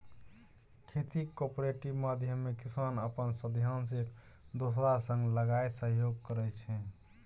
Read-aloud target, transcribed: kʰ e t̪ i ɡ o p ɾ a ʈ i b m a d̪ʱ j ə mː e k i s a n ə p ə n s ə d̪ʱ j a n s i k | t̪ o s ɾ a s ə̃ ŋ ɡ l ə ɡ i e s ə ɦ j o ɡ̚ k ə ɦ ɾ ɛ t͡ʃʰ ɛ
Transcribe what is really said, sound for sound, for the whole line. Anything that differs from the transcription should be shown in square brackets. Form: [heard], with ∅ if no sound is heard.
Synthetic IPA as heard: kʰ e t̪ i [k] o p ɾ [e] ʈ i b m a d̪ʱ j ə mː e k i s a n ə p ə n s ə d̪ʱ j a n s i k | [d̪] o s ɾ a s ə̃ ŋ ɡ l ə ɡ [a] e s ə ɦ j o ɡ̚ k ə [∅] ɾ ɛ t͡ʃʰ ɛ